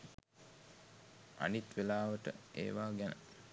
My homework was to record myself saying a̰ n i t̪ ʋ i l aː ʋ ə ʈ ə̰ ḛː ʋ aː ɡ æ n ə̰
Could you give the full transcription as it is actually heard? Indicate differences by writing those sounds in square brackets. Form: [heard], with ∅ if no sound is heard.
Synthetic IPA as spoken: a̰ n i t̪ ʋ [e] l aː ʋ ə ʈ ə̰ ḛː ʋ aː ɡ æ n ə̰